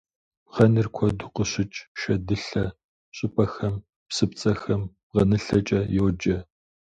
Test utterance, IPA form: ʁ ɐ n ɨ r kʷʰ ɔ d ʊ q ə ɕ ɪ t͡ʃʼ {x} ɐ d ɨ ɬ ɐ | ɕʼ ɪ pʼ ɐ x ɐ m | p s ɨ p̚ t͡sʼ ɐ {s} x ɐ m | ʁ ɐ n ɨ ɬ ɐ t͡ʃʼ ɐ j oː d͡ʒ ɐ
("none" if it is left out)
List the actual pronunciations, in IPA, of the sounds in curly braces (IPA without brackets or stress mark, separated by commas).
ʃ, none